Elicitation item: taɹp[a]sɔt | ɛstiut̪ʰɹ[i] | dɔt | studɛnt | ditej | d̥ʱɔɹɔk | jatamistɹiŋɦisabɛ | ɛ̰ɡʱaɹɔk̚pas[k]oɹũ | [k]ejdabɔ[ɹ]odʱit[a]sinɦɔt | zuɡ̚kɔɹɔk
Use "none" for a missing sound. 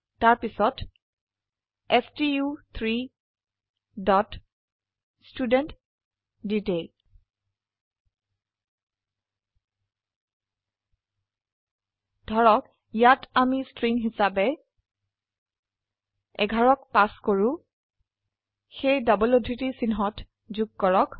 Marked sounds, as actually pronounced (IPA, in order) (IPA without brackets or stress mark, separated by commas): i, i, k, x, l, i